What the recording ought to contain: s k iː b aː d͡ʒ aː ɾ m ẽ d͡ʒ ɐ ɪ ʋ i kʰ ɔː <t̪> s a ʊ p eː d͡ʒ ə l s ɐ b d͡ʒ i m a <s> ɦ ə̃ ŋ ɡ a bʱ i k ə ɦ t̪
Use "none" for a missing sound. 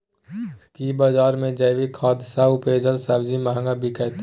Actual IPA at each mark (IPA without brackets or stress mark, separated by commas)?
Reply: d̪, none